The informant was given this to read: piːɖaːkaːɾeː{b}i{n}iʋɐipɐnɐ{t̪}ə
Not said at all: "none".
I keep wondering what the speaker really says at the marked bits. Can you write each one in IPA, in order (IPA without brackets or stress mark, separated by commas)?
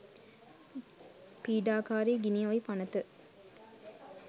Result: ɡ, n, t̪